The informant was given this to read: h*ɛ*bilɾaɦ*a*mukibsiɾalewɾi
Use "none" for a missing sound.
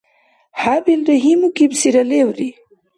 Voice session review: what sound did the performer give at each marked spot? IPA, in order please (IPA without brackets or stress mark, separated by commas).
a, i